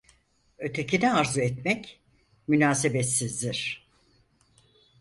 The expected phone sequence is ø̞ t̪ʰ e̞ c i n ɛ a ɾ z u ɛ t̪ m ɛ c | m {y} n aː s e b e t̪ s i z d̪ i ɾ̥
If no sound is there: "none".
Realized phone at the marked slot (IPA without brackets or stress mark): y